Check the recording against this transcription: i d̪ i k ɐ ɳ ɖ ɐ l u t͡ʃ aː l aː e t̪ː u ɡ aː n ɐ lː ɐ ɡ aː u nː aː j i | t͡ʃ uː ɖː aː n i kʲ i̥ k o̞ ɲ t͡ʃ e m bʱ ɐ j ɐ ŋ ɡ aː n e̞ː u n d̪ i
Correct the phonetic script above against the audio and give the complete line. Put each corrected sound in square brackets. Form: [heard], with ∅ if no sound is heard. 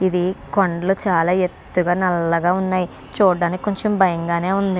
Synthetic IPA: i d̪ i k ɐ ɳ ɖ ɐ l u t͡ʃ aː l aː e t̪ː u ɡ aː n ɐ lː ɐ ɡ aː u nː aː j i | t͡ʃ uː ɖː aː n i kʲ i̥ k o̞ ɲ t͡ʃ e m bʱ ɐ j ɐ ŋ ɡ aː n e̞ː u n d̪ i